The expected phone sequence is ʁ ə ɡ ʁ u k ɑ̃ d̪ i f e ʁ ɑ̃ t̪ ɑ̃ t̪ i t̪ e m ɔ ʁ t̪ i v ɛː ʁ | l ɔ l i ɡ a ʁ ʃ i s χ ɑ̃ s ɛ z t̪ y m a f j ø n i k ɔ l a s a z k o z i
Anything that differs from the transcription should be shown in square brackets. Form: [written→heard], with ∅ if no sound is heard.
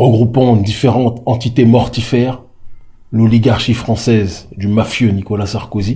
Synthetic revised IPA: ʁ ə ɡ ʁ u [k→p] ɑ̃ d̪ i f e ʁ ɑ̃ t̪ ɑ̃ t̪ i t̪ e m ɔ ʁ t̪ i [v→f] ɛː ʁ | l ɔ l i ɡ a ʁ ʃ i [s→f] χ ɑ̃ s ɛ z [t̪→d̪] y m a f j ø n i k ɔ l a s a [z→ʁ] k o z i